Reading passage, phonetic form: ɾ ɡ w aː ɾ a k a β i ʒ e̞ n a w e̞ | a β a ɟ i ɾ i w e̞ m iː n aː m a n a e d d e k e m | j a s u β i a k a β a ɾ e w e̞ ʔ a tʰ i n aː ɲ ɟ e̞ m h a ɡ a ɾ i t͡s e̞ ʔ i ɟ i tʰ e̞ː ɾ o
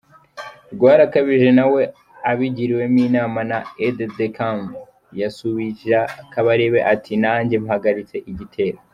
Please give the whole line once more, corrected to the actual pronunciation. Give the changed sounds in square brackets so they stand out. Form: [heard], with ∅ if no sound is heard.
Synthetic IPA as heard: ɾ ɡ w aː ɾ a k a β i ʒ e̞ n a w e̞ | a β [i] ɟ i ɾ i w e̞ m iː n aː m a n a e d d e k [a] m | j a s u β i a k a β a ɾ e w e̞ ʔ a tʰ i n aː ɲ ɟ e̞ m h a ɡ a ɾ i t͡s e̞ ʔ i ɟ i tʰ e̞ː ɾ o